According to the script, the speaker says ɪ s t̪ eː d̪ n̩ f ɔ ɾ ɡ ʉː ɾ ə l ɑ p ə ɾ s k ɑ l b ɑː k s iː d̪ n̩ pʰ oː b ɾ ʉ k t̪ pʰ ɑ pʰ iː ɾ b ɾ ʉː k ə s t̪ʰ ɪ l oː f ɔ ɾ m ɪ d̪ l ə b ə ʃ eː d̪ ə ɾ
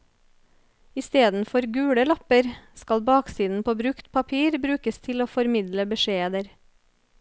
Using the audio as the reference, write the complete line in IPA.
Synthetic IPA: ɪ s t̪ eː d̪ n̩ f ɔ ɾ ɡ ʉː ɽ ə l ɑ p ə ɾ s k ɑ l b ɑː k s iː d̪ n̩ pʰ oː b ɾ ʉ k t̪ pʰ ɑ pʰ iː ɾ b ɾ ʉː k ə s t̪ʰ ɪ l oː f ɔ ɾ m ɪ d̪ l ə b ə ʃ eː d̪ ə ɾ